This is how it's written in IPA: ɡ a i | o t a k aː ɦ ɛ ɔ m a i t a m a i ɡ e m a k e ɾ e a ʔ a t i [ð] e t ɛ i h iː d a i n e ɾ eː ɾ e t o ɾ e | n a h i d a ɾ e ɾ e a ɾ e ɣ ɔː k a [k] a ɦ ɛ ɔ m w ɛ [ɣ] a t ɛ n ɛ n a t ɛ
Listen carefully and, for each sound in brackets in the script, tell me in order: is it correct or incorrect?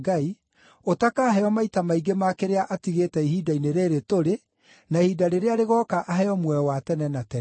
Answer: incorrect, incorrect, incorrect

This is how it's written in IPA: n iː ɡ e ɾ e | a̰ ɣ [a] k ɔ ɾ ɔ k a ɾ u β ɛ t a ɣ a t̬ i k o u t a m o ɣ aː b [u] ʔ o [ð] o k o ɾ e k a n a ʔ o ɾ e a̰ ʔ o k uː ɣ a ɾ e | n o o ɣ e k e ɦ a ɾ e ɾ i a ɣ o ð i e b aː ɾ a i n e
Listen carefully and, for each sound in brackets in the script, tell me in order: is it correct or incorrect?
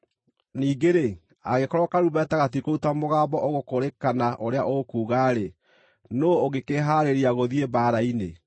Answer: incorrect, incorrect, incorrect

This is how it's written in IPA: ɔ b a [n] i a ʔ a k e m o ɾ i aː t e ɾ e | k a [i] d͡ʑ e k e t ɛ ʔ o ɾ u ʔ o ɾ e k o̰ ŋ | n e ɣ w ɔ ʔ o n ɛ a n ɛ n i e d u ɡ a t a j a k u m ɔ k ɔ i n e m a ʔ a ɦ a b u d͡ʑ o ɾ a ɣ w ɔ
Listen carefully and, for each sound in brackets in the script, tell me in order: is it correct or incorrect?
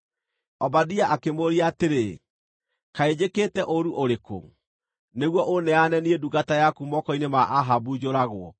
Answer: incorrect, incorrect

